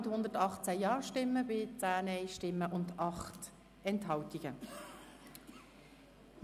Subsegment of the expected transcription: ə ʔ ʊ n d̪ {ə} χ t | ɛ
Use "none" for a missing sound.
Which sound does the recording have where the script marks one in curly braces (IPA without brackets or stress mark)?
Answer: ɑ